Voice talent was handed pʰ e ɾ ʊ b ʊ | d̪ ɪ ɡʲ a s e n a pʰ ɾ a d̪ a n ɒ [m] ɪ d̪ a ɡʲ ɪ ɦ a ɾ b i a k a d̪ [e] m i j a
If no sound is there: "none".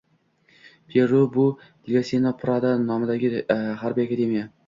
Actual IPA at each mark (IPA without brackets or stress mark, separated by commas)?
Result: m, e